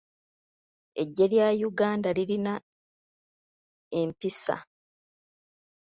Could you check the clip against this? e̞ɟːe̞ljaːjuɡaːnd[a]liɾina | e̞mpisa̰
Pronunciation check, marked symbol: correct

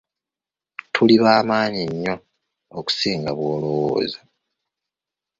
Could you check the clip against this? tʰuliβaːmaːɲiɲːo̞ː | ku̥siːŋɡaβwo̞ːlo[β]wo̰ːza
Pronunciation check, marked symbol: incorrect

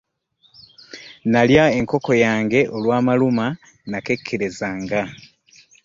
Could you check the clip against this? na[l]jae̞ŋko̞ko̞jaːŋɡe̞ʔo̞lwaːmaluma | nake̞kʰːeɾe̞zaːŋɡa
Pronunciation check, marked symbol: correct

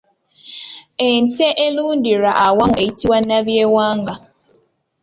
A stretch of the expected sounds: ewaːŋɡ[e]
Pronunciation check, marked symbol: incorrect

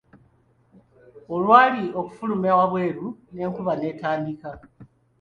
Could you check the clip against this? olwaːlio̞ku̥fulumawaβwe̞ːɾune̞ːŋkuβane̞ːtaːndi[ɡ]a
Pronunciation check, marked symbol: incorrect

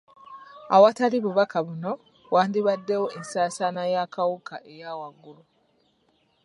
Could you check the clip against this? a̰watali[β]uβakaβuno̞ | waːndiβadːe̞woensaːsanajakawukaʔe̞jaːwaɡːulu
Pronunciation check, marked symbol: correct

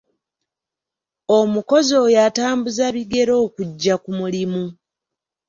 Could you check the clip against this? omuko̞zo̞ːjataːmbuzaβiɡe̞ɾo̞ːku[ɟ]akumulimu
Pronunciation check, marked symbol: incorrect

